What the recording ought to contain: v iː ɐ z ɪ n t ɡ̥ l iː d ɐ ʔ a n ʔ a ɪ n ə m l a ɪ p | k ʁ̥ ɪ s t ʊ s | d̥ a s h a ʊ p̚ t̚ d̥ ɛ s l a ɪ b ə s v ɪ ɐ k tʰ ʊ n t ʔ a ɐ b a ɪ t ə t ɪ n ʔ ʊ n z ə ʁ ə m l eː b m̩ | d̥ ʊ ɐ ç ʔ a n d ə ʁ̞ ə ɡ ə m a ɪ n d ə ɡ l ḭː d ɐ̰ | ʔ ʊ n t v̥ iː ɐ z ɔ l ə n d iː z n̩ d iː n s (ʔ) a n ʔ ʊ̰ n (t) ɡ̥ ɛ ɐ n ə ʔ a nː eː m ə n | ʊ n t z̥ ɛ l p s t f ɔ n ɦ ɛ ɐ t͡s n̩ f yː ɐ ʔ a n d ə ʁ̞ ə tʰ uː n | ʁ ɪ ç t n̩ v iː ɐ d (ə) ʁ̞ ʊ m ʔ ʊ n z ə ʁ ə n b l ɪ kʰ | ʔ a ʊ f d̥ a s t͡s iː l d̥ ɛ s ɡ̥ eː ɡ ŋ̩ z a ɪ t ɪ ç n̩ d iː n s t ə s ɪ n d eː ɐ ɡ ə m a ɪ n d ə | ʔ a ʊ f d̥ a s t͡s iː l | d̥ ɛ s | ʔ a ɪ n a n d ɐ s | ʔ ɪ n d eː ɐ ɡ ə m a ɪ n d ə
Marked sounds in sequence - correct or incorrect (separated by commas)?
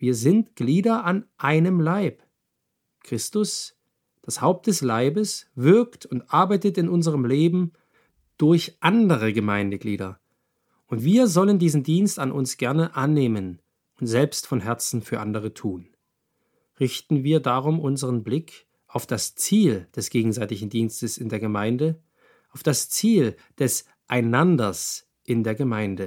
incorrect, incorrect, incorrect